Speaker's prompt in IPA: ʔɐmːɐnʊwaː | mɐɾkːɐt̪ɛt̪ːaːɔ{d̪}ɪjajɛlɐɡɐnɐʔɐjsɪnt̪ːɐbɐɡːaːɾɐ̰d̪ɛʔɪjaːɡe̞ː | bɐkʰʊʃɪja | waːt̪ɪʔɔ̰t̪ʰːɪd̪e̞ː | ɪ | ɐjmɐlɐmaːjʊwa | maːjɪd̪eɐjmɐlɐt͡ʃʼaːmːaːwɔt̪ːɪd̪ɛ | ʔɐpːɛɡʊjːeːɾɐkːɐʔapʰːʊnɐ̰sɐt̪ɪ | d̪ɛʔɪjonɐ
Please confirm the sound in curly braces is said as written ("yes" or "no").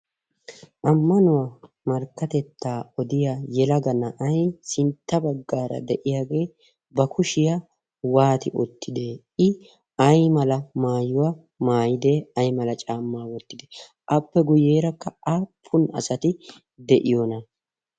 yes